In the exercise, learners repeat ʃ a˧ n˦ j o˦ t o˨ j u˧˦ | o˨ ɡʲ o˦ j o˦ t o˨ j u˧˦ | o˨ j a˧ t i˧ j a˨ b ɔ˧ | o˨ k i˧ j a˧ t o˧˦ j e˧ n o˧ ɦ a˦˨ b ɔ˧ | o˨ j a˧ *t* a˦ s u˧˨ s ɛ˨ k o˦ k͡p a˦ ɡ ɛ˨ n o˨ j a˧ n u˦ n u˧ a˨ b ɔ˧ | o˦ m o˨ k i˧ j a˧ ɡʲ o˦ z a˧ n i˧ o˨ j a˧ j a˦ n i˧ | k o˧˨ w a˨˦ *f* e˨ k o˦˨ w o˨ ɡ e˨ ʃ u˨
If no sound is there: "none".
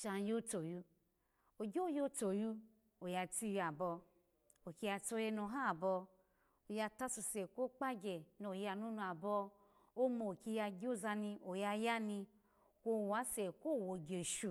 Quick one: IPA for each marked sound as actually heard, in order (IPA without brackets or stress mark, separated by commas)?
t, s